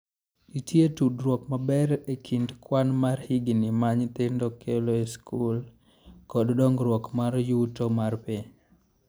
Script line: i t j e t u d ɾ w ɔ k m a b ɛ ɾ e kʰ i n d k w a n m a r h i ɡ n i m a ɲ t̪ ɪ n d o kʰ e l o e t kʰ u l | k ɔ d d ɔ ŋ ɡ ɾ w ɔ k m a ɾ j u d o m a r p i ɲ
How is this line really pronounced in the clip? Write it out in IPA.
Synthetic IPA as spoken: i t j e t u d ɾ w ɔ k m a b ɛ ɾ e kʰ i n d k w a n m a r h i ɡ n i m a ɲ t̪ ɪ n d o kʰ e l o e s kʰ u l | k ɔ d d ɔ ŋ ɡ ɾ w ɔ k m a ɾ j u t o m a r p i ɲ